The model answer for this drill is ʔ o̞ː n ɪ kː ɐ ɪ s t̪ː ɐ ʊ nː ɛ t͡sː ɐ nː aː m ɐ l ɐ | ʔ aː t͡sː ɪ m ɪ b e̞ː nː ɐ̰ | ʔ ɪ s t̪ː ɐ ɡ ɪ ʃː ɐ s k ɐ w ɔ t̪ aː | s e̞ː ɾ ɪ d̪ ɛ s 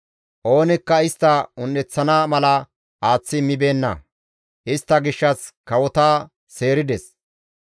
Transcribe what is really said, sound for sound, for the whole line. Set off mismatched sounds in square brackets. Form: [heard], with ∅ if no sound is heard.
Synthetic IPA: ʔ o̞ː n ɪ kː ɐ ɪ s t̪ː ɐ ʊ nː ɛ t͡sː ɐ [n] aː m ɐ l ɐ | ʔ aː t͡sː ɪ m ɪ b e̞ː nː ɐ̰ | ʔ ɪ s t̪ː ɐ ɡ ɪ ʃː ɐ s k ɐ w ɔ t̪ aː | s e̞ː ɾ ɪ d̪ ɛ s